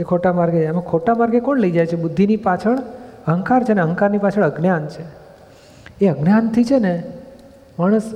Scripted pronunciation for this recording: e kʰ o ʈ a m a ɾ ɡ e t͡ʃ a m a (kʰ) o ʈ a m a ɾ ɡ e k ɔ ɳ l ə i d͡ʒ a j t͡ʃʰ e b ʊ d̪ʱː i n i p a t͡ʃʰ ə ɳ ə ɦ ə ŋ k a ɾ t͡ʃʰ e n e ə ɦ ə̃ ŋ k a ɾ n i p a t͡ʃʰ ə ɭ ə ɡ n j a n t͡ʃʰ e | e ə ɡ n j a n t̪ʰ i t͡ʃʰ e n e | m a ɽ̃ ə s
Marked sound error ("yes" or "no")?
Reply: no